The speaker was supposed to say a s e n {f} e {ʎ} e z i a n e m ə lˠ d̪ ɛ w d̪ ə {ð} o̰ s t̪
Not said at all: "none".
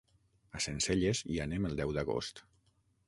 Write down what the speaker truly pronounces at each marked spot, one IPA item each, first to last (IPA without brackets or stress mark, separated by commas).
s, ʎ, ɣ